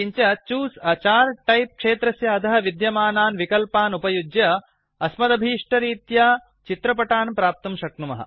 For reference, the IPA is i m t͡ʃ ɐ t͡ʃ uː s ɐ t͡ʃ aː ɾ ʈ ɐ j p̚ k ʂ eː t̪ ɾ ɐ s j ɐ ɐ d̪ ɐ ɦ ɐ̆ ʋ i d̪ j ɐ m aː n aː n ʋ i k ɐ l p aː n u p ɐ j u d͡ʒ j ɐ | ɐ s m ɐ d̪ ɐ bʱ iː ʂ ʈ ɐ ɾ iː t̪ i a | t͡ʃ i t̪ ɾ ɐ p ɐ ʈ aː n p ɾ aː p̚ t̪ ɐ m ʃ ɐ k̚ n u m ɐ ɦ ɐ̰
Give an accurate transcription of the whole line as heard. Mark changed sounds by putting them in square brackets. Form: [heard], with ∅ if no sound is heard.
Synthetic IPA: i [ɲ] t͡ʃ ɐ t͡ʃ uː s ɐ t͡ʃ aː ɾ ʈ ɐ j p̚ k ʂ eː t̪ ɾ ɐ s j ɐ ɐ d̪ ɐ ɦ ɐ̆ ʋ i d̪ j ɐ m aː n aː n ʋ i k ɐ l p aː n u p ɐ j u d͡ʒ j ɐ | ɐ s m ɐ d̪ ɐ bʱ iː ʂ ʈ ɐ ɾ iː t̪ [j] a | t͡ʃ i t̪ ɾ ɐ p ɐ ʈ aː n p ɾ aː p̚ t̪ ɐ m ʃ ɐ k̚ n u m ɐ ɦ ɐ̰